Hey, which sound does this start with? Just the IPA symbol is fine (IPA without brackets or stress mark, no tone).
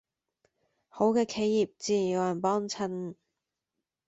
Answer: h